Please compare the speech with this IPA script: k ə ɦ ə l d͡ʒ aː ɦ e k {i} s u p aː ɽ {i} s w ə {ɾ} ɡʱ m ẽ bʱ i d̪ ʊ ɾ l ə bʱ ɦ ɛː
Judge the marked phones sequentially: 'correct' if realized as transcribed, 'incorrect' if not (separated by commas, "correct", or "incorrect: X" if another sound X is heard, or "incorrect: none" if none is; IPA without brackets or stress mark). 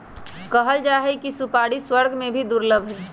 correct, correct, correct